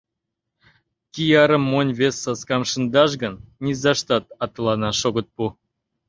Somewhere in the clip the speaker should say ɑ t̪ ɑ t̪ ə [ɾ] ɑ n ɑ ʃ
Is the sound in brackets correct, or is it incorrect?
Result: incorrect